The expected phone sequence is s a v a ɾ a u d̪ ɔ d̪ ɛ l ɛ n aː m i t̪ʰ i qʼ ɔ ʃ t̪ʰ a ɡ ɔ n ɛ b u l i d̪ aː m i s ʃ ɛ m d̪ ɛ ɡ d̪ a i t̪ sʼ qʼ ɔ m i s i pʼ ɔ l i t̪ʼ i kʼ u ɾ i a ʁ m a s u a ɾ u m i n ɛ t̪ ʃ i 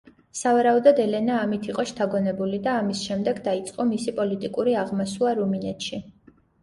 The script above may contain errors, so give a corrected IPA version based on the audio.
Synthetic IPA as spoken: s a v a ɾ a u d̪ ɔ d̪ ɛ l ɛ n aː m i t̪ʰ i qʼ ɔ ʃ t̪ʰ a ɡ ɔ n ɛ b u l i d̪ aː m i s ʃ ɛ m d̪ ɛ ɡ d̪ a i t̪ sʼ qʼ ɔ m i s i pʼ ɔ l i t̪ʼ i kʼ u ɾ i a ʁ m a s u a ɾ u m i n ɛ t̪ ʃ i